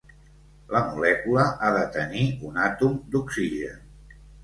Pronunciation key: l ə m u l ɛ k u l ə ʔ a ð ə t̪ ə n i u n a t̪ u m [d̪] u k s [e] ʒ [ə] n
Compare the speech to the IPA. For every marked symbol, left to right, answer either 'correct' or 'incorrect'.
correct, incorrect: i, correct

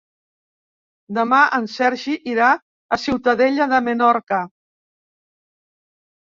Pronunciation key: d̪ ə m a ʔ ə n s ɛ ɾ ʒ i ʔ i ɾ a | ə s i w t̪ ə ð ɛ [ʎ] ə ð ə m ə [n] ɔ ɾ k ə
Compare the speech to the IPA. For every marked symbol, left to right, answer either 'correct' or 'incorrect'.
correct, correct

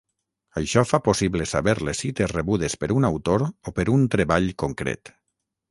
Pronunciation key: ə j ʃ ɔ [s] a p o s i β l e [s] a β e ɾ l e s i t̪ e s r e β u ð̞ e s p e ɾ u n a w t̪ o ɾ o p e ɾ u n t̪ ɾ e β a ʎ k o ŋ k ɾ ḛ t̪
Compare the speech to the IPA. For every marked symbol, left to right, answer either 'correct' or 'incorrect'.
incorrect: f, correct

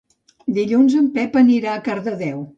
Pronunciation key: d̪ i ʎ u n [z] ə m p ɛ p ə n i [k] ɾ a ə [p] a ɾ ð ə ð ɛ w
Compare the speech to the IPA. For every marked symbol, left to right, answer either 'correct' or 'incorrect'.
correct, incorrect: none, incorrect: k

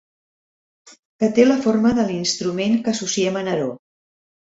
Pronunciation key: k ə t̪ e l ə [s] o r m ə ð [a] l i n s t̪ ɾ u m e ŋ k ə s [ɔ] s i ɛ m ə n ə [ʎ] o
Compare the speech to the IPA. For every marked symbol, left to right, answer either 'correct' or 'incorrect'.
incorrect: f, incorrect: ə, incorrect: u, incorrect: ɾ

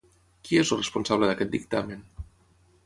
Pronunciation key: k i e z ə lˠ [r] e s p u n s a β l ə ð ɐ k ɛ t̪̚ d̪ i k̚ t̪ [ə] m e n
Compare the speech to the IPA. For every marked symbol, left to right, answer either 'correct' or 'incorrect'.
correct, incorrect: a

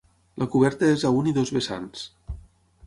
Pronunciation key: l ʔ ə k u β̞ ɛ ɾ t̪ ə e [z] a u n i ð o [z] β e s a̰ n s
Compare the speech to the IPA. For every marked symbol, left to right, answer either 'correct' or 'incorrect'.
correct, correct

